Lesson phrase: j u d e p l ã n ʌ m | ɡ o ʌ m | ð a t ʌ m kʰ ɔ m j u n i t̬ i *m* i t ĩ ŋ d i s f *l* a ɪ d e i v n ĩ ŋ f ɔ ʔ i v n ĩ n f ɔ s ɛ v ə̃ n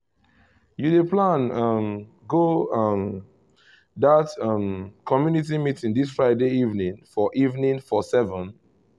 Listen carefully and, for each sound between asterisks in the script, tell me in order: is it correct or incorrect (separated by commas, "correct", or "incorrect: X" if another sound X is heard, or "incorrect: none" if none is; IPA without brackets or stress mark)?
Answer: correct, incorrect: ɹ